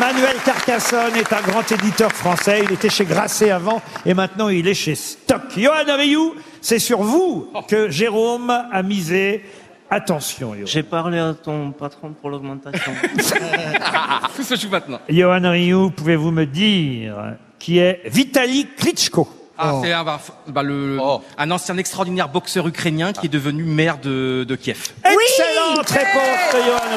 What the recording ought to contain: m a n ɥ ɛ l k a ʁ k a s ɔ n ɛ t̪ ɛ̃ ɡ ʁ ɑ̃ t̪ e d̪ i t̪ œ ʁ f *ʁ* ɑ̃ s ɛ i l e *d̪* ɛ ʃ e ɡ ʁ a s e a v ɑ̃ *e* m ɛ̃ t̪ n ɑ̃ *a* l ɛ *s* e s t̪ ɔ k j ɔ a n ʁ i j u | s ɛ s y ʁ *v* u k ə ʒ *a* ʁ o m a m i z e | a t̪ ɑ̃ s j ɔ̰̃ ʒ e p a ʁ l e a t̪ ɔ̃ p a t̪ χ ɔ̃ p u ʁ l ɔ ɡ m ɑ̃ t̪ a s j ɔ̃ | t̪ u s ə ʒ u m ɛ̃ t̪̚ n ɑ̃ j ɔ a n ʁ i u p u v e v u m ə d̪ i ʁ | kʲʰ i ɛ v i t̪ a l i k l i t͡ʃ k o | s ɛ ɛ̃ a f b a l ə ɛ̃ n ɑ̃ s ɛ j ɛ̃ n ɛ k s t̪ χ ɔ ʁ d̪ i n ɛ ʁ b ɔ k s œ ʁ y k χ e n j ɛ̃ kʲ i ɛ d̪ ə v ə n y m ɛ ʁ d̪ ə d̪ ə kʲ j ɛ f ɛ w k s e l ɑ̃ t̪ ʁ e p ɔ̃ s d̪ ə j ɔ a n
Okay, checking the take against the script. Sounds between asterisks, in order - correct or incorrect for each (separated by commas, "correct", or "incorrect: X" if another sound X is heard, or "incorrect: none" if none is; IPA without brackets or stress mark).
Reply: incorrect: χ, incorrect: t̪, correct, incorrect: i, incorrect: ʃ, correct, incorrect: e